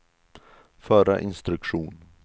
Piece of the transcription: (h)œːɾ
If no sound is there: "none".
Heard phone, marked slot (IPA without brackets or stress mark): f